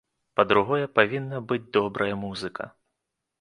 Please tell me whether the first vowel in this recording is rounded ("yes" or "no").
no